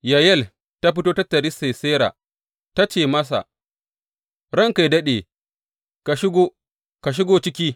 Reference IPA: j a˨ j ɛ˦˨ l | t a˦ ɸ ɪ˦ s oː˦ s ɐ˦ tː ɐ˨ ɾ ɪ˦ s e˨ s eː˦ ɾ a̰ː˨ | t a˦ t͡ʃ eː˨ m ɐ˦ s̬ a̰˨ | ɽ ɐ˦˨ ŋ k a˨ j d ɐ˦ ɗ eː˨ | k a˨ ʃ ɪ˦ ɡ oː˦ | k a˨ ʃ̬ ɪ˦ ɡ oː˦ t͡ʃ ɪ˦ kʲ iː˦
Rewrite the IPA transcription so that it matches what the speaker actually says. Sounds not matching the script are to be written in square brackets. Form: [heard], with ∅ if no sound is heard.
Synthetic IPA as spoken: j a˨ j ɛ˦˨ l | t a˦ ɸ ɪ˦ [t] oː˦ [t] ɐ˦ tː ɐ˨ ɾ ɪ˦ s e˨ s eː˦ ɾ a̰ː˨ | t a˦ t͡ʃ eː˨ m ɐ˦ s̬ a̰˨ | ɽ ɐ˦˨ ŋ k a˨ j d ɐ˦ ɗ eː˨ | k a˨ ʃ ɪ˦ ɡ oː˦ | k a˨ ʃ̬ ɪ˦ ɡ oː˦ t͡ʃ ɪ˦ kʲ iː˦